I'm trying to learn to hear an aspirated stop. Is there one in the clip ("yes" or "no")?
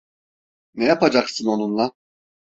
no